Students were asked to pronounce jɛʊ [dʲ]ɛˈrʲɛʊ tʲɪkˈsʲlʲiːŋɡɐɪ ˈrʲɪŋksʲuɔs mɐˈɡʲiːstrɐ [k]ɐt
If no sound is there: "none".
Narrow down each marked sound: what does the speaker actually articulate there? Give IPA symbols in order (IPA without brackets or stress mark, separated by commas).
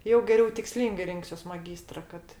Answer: ɡʲ, k